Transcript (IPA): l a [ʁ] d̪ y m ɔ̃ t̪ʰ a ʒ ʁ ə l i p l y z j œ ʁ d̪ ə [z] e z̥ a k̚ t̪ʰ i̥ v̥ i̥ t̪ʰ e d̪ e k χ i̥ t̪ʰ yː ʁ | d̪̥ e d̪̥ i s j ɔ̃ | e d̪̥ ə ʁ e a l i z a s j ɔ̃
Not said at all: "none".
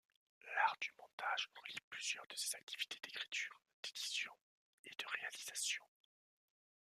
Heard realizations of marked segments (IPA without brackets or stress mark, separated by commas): ʁ, s